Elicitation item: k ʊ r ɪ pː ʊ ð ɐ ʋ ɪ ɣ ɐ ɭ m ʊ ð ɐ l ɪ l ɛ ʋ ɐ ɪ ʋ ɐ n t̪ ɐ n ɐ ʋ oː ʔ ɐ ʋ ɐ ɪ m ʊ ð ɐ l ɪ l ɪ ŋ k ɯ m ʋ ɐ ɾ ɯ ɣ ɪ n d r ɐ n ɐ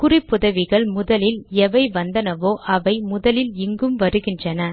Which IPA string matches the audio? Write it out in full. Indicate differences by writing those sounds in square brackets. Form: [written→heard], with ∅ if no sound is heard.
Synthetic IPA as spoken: k ʊ r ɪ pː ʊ ð ɐ ʋ ɪ ɣ ɐ ɭ m ʊ ð ɐ l ɪ l ɛ ʋ ɐ ɪ ʋ ɐ n [t̪→d̪] ɐ n ɐ ʋ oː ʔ ɐ ʋ ɐ ɪ m ʊ ð ɐ l ɪ l ɪ ŋ [k→ɡ] ɯ m ʋ ɐ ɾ ɯ ɣ ɪ n d r ɐ n ɐ